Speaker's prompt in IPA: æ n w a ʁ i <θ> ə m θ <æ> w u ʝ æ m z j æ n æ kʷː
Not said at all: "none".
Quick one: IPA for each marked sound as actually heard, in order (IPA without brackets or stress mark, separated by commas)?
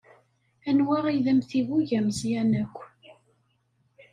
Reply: ð, i